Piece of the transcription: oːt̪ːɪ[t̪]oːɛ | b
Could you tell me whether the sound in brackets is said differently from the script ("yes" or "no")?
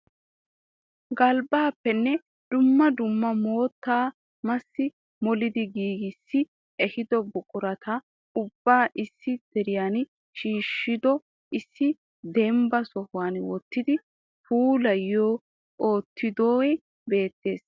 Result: yes